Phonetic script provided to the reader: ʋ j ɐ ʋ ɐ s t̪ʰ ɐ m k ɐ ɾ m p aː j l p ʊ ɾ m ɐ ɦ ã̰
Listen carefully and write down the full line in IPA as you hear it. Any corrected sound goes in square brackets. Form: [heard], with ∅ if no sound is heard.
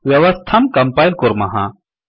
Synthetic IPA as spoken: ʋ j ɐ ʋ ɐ s t̪ʰ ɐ m k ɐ [∅] m p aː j l [k] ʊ ɾ m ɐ ɦ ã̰